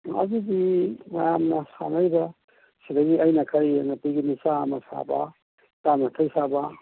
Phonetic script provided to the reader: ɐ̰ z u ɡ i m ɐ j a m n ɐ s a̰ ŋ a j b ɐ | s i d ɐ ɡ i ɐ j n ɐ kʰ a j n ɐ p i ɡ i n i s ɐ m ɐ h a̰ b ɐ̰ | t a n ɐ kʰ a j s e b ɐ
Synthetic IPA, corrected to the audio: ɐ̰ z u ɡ i m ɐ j a m n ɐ s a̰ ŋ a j b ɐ | s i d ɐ ɡ i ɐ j n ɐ kʰ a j n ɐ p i ɡ i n i s a m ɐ s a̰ b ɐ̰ | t a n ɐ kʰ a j s a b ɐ